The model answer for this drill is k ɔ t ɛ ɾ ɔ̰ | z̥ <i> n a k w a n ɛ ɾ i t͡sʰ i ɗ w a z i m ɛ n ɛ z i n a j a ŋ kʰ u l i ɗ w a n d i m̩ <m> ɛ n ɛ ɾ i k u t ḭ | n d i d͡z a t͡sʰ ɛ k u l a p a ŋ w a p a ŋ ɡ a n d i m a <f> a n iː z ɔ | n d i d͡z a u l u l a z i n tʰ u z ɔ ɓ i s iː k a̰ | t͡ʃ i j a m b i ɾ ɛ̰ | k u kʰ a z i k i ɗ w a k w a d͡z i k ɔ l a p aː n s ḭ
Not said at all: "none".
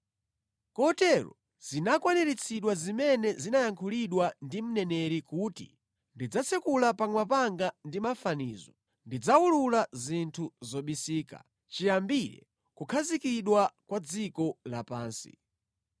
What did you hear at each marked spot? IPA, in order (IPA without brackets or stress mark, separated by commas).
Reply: i, n, f